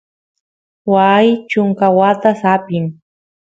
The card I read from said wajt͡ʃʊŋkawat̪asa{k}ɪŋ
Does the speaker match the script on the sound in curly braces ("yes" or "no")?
no